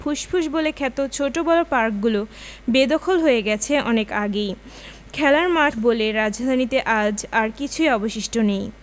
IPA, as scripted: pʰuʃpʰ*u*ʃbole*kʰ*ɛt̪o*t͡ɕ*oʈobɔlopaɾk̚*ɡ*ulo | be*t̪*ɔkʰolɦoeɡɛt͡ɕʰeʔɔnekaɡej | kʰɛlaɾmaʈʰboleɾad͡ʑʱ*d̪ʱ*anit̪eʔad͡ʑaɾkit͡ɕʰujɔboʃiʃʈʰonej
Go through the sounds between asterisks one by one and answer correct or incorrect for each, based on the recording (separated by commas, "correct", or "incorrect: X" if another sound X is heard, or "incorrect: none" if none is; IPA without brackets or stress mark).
correct, correct, incorrect: t͡ɕʰ, correct, incorrect: d̪, correct